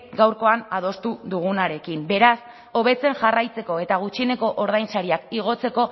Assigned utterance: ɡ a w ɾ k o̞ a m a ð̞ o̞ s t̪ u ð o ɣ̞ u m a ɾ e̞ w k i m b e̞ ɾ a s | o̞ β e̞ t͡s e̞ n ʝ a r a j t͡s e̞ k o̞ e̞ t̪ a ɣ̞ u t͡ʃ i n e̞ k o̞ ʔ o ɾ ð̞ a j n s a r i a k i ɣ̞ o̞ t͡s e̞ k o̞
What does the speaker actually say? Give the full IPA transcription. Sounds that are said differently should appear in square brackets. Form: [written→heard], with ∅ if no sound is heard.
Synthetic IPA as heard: ɡ a w ɾ k o̞ a [m→n] a ð̞ o̞ s t̪ u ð [o→u] ɣ̞ u [m→n] a ɾ e̞ [w→∅] k i m b e̞ ɾ a s | o̞ β e̞ t͡s e̞ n ʝ a r a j t͡s e̞ k o̞ e̞ t̪ a ɣ̞ u t͡ʃ i n e̞ k o̞ ʔ o ɾ ð̞ a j n s a [r→ɾ] i a k i ɣ̞ o̞ t͡s e̞ k o̞